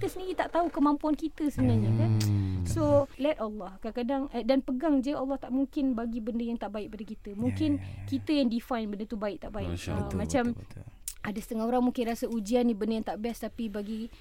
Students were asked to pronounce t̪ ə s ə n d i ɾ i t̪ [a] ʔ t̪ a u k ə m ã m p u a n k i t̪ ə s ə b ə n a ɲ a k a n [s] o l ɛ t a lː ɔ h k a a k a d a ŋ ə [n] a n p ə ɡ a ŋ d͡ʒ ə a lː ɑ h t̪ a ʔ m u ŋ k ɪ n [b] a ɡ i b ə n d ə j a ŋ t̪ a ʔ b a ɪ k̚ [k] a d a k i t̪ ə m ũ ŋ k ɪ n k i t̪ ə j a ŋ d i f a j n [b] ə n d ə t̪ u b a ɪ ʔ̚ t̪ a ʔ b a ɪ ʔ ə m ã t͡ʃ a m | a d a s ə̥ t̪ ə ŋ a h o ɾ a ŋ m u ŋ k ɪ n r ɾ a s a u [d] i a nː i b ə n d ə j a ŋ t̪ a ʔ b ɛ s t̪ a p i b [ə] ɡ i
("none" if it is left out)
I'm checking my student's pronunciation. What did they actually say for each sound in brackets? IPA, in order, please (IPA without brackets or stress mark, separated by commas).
a, s, d, b, p, b, d͡ʒ, a